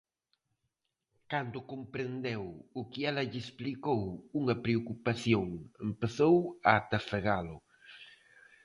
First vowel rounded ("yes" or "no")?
no